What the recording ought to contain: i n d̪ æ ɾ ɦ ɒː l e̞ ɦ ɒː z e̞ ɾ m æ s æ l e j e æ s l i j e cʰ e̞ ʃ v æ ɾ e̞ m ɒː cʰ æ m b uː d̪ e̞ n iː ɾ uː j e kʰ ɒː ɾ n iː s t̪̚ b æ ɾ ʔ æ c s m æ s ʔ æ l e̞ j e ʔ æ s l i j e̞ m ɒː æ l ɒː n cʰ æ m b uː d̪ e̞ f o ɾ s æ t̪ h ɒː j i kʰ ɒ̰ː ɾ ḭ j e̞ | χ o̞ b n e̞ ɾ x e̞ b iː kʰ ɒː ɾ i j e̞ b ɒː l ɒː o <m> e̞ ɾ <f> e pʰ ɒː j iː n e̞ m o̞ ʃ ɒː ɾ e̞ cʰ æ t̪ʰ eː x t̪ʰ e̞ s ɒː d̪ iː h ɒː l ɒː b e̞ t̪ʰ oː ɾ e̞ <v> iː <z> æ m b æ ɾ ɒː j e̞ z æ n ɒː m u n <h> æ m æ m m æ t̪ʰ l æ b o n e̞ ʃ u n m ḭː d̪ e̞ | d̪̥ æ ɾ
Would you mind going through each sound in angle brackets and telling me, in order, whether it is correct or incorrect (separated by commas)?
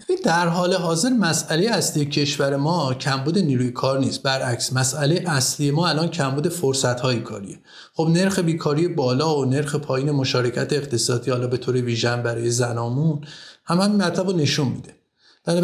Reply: incorrect, incorrect, correct, incorrect, correct